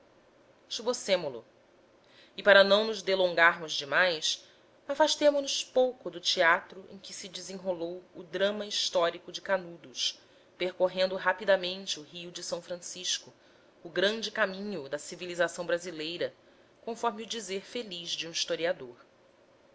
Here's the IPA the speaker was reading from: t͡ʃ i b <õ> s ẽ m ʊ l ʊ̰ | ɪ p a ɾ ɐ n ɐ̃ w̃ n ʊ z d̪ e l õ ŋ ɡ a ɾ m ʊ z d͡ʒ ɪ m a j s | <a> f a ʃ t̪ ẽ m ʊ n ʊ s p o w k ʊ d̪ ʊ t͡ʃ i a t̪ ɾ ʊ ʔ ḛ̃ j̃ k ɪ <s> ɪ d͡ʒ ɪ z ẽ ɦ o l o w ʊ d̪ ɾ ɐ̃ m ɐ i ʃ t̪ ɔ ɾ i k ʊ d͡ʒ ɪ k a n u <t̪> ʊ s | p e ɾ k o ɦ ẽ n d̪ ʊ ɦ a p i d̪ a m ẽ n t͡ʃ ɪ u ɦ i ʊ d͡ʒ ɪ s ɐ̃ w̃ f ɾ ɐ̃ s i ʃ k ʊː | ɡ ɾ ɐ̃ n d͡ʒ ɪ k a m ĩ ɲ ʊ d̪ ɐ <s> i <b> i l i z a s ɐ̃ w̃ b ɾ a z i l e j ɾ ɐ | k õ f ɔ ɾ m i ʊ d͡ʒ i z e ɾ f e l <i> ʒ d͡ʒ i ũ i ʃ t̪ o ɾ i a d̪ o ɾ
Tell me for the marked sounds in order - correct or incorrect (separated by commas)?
incorrect, correct, correct, incorrect, correct, incorrect, correct